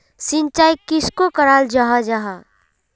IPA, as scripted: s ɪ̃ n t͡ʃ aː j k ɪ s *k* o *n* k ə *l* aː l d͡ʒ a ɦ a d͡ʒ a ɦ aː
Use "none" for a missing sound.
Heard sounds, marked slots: k, none, ɾ

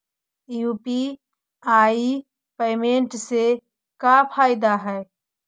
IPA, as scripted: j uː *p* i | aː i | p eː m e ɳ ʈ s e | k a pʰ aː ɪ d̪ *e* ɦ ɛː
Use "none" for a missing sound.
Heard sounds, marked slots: p, a

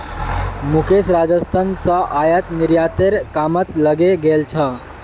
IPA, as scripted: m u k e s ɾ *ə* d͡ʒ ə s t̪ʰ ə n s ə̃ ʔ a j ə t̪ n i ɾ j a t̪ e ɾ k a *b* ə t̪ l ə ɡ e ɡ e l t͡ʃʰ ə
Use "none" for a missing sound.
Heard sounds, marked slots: a, m

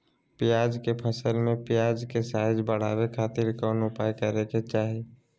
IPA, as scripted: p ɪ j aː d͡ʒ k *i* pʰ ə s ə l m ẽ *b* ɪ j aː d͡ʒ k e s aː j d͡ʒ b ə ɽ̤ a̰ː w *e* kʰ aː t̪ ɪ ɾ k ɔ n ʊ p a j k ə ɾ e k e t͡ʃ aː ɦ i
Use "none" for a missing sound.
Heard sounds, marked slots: e, p, e

